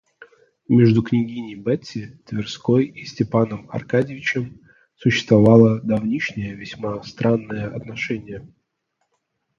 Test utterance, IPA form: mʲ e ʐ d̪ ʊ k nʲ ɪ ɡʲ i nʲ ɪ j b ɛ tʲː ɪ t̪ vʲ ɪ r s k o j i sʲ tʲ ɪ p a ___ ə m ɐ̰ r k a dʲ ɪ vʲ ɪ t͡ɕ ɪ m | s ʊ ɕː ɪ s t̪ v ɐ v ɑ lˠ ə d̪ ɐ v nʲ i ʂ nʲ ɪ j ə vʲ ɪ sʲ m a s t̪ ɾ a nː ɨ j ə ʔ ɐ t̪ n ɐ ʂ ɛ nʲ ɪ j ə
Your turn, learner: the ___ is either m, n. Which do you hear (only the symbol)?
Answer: n